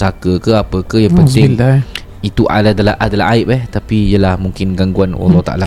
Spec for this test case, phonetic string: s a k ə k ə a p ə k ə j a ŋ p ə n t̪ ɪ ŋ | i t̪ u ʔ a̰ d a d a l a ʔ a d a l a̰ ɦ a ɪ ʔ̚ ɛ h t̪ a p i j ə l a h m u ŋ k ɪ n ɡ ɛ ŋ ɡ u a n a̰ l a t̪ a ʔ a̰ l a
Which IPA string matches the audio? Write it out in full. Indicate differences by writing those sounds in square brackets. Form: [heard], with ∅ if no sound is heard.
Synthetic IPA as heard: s a k ə k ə a p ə k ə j a ŋ p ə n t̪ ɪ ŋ | i t̪ u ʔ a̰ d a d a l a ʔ a d a l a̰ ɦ a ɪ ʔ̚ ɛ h t̪ a p i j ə l a h m u ŋ k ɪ n ɡ [a] ŋ ɡ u a n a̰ l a t̪ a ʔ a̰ l a